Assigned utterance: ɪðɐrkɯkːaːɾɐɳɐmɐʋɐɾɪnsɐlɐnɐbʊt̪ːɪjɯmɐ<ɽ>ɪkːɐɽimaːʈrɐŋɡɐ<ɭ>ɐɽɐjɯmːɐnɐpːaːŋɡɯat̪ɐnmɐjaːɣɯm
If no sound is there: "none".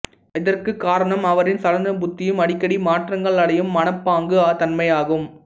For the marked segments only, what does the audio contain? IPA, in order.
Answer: ɽ, ɭ

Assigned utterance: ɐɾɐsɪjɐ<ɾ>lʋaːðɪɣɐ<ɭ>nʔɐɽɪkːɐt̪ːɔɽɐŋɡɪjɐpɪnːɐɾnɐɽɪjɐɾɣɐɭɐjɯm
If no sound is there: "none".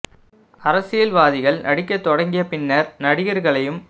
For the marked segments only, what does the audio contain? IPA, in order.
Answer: none, ɭ

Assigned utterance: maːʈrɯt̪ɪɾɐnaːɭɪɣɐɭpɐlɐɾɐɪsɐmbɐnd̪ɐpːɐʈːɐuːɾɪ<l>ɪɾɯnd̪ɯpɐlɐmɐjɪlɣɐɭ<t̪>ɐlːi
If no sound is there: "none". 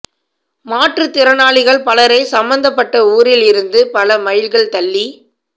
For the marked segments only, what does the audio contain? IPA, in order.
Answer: l, t̪

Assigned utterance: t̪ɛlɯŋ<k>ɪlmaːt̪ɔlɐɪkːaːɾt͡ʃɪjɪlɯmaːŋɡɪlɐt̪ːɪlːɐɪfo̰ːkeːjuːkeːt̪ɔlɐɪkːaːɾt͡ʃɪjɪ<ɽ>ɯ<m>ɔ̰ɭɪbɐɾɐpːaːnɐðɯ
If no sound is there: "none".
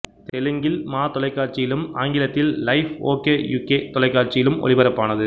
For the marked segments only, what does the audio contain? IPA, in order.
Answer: ɡ, l, m

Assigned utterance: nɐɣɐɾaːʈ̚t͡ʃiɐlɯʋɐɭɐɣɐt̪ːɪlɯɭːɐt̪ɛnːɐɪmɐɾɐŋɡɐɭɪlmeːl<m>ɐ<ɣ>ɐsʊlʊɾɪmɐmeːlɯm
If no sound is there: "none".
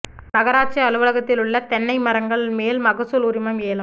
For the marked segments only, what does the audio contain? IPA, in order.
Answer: m, ɣ

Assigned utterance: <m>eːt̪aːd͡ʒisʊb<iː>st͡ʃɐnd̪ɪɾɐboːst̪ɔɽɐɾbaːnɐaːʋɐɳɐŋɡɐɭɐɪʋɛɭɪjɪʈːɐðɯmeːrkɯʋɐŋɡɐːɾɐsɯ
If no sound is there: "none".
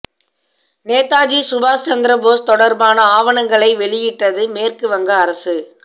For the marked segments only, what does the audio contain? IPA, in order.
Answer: n, aː

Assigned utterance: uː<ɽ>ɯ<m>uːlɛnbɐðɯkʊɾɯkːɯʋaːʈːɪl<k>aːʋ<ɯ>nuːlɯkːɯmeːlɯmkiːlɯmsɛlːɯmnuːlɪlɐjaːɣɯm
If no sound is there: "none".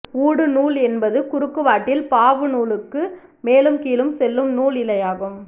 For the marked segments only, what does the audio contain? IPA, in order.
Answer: ɽ, n, p, ɯ

